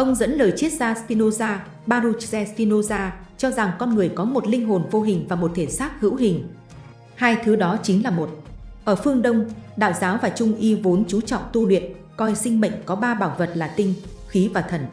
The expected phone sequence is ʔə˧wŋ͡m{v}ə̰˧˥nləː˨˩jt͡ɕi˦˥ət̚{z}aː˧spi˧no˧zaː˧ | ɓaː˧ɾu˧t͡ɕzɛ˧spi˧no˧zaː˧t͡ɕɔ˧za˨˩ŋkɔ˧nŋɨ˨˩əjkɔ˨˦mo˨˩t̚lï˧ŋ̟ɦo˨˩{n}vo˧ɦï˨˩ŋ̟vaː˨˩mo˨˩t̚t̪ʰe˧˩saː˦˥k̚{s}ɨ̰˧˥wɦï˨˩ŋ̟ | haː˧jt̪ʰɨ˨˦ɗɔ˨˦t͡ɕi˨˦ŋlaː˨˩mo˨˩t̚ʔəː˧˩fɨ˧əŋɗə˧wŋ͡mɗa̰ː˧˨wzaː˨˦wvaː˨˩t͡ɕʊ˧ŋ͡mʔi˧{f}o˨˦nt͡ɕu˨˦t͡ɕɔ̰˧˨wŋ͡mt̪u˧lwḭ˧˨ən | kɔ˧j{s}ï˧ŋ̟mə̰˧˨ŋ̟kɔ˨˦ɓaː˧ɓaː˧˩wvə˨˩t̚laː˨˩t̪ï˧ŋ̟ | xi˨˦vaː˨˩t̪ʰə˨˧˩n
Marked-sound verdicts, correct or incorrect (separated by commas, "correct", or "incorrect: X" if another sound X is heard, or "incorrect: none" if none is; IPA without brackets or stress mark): incorrect: z, correct, correct, incorrect: h, incorrect: v, correct